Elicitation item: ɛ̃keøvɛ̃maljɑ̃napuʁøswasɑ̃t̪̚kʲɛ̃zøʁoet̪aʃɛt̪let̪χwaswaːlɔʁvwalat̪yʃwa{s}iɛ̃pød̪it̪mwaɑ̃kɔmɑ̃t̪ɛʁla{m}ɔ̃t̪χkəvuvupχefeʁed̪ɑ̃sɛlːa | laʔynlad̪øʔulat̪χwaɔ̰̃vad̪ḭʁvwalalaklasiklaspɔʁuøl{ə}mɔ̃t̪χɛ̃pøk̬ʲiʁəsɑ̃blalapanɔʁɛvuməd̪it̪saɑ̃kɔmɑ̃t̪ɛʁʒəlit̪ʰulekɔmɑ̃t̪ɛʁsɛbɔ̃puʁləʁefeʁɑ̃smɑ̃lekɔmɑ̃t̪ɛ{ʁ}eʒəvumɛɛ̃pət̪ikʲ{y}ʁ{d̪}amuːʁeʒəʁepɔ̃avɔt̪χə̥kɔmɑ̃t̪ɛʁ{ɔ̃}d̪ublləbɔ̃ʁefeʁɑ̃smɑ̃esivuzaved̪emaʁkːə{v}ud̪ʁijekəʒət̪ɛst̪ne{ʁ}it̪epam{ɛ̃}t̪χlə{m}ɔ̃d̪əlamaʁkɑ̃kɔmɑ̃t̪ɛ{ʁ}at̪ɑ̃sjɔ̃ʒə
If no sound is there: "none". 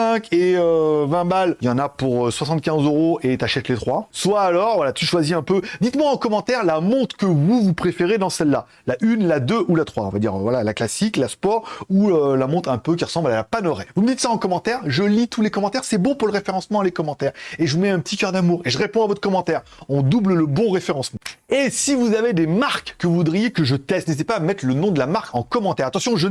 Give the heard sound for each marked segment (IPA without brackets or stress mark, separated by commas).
z, m, a, ʁ, œ, d̪, ɔ̃, v, z, ɛ, n, ʁ